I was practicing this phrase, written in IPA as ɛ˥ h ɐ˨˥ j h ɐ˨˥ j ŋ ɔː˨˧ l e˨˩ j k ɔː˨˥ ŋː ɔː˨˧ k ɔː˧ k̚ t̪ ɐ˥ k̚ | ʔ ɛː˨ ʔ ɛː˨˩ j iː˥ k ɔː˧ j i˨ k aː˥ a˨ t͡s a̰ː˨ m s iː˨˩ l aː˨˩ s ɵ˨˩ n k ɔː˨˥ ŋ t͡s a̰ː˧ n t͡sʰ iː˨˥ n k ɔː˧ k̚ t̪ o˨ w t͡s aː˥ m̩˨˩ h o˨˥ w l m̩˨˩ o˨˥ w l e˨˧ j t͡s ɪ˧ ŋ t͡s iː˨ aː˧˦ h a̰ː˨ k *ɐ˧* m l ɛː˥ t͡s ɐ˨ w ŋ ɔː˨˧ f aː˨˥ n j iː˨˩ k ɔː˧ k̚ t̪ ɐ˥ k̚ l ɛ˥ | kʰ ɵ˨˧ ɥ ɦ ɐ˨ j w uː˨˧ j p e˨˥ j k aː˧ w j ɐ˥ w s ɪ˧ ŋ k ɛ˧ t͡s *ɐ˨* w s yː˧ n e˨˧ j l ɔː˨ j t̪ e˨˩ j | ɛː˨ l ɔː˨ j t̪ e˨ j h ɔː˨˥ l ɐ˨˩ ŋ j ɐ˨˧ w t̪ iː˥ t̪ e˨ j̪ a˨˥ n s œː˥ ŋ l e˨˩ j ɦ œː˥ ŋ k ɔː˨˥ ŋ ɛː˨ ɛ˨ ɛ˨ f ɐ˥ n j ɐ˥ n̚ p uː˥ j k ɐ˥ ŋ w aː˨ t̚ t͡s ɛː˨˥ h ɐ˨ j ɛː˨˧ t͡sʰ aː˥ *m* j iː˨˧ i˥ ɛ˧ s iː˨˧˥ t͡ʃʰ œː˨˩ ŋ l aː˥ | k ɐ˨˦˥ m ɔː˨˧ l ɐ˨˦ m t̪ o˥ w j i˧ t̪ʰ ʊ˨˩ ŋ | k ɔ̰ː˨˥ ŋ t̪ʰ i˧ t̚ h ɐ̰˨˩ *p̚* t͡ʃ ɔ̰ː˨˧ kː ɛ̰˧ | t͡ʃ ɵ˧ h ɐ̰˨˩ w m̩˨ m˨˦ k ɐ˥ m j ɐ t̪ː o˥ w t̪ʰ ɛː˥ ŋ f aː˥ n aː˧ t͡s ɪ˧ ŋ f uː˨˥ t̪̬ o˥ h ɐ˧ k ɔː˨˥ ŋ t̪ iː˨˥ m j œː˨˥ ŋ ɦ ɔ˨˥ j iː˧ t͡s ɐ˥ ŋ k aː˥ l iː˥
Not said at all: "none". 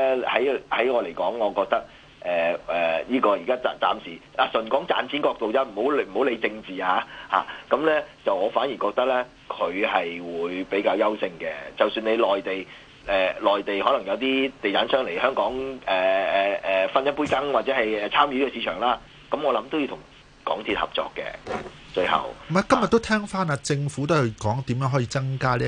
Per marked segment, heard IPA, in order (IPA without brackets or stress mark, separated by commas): ɐ˨˥, ɐ˨, m, p̚